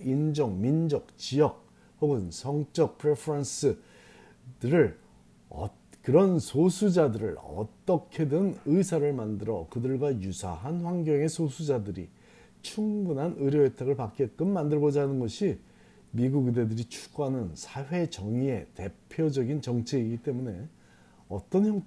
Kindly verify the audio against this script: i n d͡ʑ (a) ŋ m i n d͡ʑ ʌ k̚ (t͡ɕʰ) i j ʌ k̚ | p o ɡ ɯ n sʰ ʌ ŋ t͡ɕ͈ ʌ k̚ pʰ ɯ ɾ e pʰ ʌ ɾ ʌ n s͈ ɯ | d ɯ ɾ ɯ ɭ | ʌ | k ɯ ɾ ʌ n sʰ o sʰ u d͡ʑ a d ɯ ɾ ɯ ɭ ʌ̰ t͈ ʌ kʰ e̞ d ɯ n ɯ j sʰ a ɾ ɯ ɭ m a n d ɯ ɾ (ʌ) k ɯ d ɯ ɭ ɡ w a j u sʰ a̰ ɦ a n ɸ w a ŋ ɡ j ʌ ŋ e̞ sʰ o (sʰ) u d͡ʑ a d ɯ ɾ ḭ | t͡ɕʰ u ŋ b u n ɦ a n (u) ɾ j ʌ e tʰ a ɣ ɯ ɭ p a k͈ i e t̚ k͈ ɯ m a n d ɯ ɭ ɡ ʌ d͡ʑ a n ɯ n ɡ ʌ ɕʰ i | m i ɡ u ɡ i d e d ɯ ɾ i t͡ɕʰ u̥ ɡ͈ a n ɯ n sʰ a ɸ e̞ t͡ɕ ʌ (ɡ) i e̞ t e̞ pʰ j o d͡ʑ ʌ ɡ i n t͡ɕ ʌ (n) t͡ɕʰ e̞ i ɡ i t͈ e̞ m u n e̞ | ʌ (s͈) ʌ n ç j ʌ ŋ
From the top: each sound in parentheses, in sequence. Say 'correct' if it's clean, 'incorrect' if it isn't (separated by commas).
incorrect, incorrect, correct, correct, incorrect, incorrect, incorrect, incorrect